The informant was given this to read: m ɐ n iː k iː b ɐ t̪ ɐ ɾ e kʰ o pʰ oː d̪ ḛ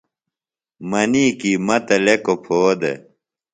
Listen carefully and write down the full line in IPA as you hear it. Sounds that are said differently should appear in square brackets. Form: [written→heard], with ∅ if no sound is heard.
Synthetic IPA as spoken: m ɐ n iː k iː [b→m] ɐ t̪ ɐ [ɾ→l] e [kʰ→k] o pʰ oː d̪ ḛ